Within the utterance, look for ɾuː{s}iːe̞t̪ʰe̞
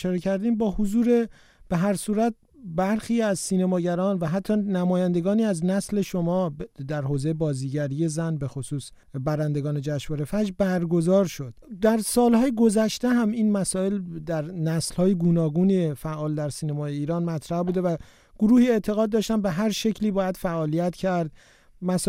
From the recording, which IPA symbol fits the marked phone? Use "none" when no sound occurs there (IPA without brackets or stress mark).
h